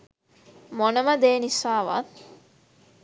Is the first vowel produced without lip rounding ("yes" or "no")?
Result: no